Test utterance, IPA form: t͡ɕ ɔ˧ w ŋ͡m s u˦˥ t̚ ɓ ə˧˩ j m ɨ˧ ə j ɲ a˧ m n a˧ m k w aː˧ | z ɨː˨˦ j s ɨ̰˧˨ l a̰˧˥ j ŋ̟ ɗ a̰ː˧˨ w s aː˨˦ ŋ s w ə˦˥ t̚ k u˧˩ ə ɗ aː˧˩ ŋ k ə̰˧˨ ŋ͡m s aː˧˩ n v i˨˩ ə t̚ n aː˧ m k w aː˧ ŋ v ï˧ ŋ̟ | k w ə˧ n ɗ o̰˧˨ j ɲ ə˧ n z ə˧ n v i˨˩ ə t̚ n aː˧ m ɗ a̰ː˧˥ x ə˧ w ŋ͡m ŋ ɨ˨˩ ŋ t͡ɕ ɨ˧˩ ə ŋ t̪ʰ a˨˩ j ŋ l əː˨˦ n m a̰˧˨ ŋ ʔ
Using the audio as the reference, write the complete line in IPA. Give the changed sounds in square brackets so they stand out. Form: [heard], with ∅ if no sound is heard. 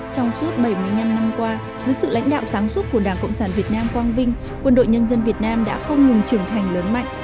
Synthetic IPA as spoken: t͡ɕ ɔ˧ w ŋ͡m s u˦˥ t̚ ɓ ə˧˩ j m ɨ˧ ə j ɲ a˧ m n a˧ m k w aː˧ | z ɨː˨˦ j s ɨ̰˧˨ l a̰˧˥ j ŋ̟ ɗ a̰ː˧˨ w s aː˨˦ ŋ s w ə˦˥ t̚ k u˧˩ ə ɗ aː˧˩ ŋ k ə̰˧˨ ŋ͡m s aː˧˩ n v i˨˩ ə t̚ n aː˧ m k w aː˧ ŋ v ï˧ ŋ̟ | k w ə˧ n ɗ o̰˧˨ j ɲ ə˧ n z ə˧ n v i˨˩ ə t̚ n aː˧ m ɗ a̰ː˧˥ x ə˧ w ŋ͡m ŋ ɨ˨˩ ŋ t͡ɕ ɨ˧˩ ə ŋ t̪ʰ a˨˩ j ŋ l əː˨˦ n m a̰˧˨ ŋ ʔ